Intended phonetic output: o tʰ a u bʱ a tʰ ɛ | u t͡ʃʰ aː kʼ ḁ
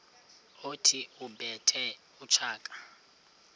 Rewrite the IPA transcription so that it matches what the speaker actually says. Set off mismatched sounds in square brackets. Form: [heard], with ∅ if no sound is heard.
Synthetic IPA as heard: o tʰ [i] u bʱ [ɛ] tʰ ɛ | u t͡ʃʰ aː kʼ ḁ

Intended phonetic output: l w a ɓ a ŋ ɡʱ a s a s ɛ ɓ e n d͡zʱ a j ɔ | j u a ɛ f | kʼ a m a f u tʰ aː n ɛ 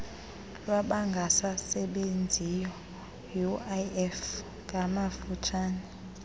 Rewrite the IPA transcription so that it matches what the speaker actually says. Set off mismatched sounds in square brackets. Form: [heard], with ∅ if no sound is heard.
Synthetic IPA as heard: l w a ɓ a ŋ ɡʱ a s a s ɛ ɓ e n d͡zʱ [i] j ɔ | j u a ɛ f | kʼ a m a f u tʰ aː n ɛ

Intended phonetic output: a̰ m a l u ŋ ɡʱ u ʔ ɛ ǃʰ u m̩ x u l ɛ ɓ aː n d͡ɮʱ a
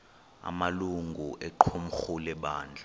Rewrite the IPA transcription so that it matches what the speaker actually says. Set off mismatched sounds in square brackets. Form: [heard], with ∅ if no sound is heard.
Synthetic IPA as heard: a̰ m a l u ŋ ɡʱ u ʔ ɛ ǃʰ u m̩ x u l ɛ ɓ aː n d͡ɮʱ a

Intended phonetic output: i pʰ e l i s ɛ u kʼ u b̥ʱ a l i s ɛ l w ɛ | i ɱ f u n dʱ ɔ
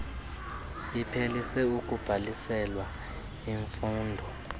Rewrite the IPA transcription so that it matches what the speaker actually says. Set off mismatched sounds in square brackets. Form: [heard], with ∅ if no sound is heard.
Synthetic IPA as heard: i pʰ e l i s ɛ u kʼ u b̥ʱ a l i s ɛ l w [a] | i ɱ f [uː] n dʱ ɔ

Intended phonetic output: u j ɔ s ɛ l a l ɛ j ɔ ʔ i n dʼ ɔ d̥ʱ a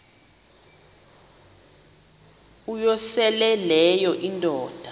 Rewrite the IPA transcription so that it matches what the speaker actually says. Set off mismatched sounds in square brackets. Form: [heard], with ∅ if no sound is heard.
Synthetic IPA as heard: u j ɔ s ɛ l [ɛ] l ɛ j ɔ ʔ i n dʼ [ɔː] d̥ʱ a

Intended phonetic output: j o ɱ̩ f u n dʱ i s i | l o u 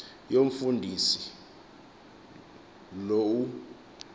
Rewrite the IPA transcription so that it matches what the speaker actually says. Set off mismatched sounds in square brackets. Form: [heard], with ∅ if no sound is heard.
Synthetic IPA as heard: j o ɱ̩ f u n dʱ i s i | l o u

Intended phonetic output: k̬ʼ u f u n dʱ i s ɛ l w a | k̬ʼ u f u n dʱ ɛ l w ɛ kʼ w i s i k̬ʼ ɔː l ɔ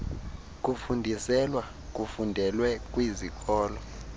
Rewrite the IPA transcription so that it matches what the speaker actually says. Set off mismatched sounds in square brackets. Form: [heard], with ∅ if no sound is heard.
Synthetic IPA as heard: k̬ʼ u f u n dʱ i s ɛ l w a | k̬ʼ u f u n dʱ ɛ l w ɛ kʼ w i [z] i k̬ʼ ɔː l ɔ

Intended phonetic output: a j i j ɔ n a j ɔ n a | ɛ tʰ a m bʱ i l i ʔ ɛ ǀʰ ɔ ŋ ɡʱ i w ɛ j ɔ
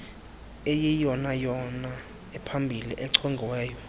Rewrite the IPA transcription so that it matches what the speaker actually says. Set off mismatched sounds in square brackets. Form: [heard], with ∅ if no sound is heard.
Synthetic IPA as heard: [e] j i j ɔ n a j ɔ n a | ɛ [pʰ] a m bʱ i l i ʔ ɛ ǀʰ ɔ ŋ ɡʱ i w [ɛː] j ɔ

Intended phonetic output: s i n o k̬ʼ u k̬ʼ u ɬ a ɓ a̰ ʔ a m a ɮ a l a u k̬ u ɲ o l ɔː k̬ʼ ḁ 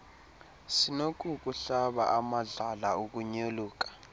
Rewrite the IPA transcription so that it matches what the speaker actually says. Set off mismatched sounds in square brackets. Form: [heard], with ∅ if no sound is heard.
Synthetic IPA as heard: s i n o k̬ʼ u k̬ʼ u ɬ a ɓ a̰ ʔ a m a ɮ a l a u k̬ u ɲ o l [uː] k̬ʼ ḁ

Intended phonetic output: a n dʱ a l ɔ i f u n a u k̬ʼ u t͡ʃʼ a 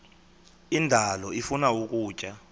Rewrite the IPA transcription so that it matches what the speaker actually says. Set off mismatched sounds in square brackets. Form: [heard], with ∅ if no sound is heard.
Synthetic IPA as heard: [i] n dʱ a l ɔ i f u n a u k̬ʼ [uː] t͡ʃʼ a

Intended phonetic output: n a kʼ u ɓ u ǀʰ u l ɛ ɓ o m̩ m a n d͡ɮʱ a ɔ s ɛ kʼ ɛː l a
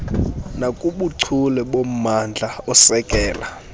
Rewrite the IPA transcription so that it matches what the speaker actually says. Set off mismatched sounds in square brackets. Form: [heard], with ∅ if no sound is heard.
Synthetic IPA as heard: n a kʼ u ɓ u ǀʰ u l ɛ ɓ o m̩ m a n d͡ɮʱ a ɔ s ɛ kʼ ɛː l a

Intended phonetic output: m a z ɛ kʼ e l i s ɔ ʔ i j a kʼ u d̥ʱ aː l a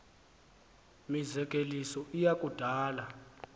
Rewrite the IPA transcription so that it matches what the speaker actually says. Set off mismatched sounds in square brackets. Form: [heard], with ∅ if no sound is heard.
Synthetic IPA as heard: m [i] z ɛ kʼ e l i s ɔ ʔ i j a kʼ u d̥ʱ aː l a

